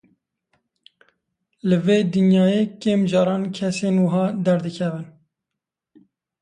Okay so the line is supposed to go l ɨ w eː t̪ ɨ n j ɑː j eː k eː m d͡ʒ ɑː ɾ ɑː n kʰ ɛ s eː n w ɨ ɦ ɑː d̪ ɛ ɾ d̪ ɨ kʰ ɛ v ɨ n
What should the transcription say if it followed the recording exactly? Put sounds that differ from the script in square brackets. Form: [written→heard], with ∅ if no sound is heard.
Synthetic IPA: l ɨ [w→v] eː [t̪→d̪] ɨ n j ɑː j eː k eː m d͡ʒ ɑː ɾ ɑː n kʰ ɛ s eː n w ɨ ɦ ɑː d̪ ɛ ɾ d̪ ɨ kʰ ɛ v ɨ n